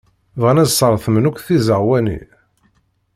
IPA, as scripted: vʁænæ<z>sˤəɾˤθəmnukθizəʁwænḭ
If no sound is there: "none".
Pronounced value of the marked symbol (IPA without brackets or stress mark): z